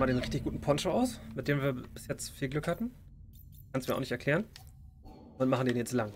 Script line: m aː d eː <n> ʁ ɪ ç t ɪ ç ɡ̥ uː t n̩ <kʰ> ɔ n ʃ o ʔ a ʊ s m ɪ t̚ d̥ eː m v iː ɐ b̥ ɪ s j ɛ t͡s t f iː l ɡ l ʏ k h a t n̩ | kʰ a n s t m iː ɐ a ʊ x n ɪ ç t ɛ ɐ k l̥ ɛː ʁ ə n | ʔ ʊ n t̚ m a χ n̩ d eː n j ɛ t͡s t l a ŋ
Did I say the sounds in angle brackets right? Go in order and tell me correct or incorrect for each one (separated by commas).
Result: correct, incorrect